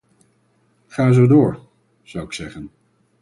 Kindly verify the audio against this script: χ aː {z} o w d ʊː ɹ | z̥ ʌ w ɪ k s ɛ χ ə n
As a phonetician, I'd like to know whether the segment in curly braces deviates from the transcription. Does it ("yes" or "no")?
no